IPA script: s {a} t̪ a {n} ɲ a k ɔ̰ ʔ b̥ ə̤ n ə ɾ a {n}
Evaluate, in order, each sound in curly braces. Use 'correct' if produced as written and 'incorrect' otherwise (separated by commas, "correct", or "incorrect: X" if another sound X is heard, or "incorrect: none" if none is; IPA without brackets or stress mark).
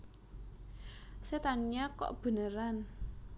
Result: incorrect: e, correct, correct